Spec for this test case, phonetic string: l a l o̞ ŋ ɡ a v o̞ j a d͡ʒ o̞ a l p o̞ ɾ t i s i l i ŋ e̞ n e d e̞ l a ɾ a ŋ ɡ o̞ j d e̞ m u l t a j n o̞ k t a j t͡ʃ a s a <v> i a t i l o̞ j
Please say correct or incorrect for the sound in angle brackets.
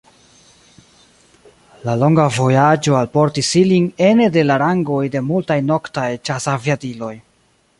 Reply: correct